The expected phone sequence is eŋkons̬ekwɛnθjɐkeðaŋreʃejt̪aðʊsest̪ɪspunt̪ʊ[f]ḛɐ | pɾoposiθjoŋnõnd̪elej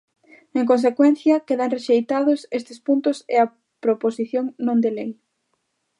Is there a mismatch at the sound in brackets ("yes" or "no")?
yes